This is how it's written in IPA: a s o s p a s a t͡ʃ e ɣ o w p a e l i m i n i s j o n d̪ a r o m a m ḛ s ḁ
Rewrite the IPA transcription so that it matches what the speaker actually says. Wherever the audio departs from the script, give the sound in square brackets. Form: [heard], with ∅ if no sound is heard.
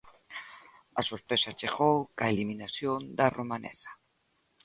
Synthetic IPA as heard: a s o s p [e] s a t͡ʃ e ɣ o w [k] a e l i m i n [a] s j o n d̪ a r o m a [n] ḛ s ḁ